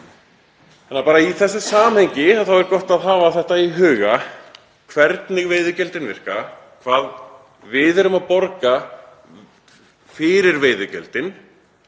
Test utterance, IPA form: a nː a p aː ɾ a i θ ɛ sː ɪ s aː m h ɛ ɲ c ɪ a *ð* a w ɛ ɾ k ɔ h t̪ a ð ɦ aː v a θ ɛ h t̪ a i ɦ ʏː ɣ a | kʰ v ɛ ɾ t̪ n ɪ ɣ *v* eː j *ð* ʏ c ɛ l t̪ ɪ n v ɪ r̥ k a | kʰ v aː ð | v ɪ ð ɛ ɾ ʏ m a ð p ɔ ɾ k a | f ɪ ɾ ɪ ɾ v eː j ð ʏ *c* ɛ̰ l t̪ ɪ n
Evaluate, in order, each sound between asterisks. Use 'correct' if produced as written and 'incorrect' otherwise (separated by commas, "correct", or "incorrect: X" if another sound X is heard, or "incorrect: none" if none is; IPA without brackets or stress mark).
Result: incorrect: θ, correct, correct, correct